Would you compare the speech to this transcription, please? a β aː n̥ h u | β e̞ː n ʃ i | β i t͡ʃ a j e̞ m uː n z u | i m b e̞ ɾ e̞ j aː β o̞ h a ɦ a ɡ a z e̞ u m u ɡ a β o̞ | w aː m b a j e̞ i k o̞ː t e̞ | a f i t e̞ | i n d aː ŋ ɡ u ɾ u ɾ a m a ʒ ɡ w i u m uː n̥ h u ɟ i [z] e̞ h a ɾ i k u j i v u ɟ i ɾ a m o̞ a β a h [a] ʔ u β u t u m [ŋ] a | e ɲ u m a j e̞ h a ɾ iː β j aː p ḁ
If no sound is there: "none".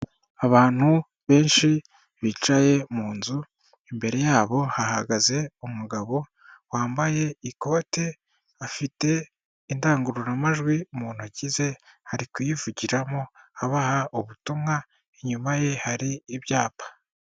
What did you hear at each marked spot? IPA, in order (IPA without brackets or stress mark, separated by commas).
z, a, ŋ